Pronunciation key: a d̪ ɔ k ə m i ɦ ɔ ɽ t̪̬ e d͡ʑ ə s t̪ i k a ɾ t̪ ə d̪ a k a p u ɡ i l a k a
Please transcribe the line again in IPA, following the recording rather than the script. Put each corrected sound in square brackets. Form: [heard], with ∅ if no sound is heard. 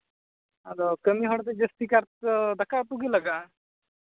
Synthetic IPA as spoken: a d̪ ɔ k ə m i ɦ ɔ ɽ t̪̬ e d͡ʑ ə s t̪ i k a ɾ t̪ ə d̪ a k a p u ɡ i l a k a